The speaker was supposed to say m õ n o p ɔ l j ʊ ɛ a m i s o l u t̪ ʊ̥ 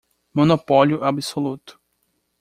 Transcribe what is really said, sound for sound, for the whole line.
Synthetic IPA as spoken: m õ n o p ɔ l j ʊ ɛ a b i s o l u t̪ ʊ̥

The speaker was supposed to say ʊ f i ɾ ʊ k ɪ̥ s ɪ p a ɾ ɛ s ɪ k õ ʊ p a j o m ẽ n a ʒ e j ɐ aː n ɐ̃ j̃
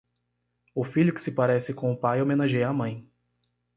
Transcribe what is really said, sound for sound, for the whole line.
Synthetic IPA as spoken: ʊ f i ʎ ʊ k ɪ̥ s ɪ p a ɾ ɛ s ɪ k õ ʊ p a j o m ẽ n a ʒ e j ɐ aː m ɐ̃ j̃

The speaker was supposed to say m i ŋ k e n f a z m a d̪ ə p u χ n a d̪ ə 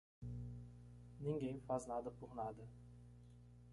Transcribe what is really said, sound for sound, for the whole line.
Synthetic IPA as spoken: n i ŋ ɡ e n f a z n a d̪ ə p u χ n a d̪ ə

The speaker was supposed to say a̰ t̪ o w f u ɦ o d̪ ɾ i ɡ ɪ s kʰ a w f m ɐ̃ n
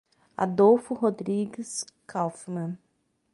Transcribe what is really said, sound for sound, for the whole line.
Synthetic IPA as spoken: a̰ d̪ o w f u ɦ o d̪ ɾ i ɡ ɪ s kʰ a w f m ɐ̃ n

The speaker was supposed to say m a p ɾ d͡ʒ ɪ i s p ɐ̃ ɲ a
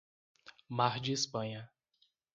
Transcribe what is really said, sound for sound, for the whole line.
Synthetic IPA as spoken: m a ɾ d͡ʒ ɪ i s p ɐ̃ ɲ ɐ

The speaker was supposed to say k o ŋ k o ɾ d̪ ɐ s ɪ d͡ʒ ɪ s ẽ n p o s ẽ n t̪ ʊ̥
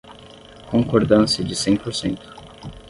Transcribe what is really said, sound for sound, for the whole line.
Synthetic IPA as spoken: k õ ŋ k o ɾ d̪ ɐ̃ s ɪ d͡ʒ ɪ s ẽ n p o s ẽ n t̪ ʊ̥

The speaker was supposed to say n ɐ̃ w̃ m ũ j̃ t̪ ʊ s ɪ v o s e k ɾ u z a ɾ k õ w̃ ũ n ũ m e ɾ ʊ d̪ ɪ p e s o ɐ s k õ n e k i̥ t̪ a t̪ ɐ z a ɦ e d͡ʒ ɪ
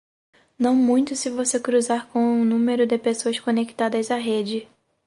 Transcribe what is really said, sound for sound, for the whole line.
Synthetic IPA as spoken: n ɐ̃ w̃ m ũ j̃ t̪ ʊ s ɪ v o s e k ɾ u z a ɾ k õ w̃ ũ n ũ m e ɾ ʊ d̪ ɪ p e s o ɐ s k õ n e k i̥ t̪ a d̪ ɐ z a ɦ e d͡ʒ ɪ

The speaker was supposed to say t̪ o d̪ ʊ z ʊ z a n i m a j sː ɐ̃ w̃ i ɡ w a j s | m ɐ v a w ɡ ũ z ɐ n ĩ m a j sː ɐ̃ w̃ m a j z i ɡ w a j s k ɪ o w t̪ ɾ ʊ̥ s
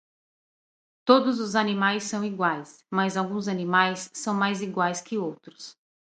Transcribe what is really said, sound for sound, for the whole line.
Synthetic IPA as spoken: t̪ o d̪ ʊ z ʊ z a n i m a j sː ɐ̃ w̃ i ɡ w a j s | m ɐ z a w ɡ ũ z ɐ n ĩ m a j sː ɐ̃ w̃ m a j z i ɡ w a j s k ɪ o w t̪ ɾ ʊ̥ s

